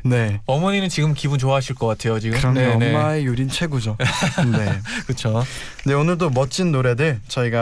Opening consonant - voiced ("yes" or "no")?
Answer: yes